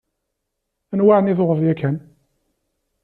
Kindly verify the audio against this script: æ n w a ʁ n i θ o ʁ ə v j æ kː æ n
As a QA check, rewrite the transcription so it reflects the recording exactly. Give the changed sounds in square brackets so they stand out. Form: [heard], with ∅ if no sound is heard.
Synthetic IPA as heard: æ n w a [ʕ] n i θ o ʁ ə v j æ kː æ n